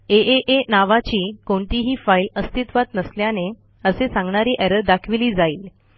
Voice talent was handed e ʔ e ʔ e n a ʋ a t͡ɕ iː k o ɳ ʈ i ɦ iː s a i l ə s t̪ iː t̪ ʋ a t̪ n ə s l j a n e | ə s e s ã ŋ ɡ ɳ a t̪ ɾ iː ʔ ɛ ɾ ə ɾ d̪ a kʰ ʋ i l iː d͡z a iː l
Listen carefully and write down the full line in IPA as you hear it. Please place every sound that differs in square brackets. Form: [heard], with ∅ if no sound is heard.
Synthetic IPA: e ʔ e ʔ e n a ʋ a t͡ɕ iː k o ɳ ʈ i ɦ iː [f] a i l ə s t̪ [i] t̪ ʋ a t̪ n ə s l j a n e | ə s e s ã ŋ ɡ ɳ a [∅] ɾ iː ʔ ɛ ɾ ə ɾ d̪ a kʰ ʋ i l iː d͡z a iː l